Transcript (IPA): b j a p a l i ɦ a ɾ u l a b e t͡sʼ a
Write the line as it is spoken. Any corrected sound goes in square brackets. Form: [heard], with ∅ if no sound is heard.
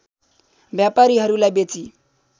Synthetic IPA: b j a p a [ɾ] i ɦ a ɾ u l a b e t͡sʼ [i]